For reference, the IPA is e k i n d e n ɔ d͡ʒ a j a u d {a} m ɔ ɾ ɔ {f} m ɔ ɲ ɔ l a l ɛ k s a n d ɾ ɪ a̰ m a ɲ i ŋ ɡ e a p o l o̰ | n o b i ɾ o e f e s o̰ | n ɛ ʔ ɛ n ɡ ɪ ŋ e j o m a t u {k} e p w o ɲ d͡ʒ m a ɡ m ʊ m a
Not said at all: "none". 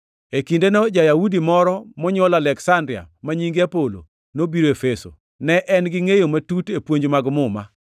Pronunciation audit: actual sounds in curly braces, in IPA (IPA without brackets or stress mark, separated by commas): i, none, t